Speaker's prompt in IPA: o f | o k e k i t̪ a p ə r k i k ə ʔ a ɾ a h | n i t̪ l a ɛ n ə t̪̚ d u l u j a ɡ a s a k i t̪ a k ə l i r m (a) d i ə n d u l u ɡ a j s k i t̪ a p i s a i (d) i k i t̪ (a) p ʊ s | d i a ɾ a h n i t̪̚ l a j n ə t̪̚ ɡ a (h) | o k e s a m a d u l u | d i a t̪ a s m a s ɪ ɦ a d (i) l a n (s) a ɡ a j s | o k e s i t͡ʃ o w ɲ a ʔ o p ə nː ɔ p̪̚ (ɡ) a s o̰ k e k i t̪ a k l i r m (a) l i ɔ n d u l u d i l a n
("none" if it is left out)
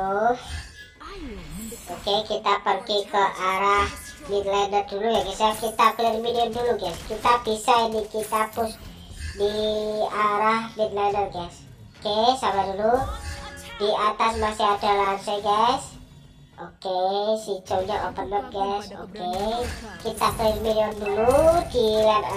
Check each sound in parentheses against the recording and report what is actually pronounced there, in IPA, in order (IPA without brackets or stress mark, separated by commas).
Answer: i, n, a, s, a, s, ɡ, i